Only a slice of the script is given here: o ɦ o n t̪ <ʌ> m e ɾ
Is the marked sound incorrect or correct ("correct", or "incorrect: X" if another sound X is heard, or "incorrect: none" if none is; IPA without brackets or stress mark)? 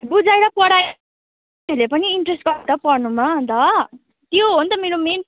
correct